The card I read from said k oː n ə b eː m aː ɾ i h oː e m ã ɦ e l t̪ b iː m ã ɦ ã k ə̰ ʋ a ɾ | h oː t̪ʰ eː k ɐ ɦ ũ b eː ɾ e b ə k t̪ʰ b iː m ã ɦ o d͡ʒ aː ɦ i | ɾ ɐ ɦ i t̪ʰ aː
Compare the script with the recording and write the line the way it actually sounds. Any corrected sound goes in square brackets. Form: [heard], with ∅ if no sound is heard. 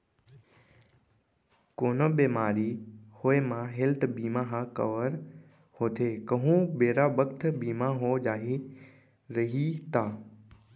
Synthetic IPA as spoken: k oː n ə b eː m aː ɾ i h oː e m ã ɦ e l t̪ b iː m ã ɦ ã k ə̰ ʋ [ə] ɾ | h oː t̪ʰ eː k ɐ ɦ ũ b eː ɾ [a] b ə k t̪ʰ b iː m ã ɦ o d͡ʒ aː ɦ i | ɾ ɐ ɦ i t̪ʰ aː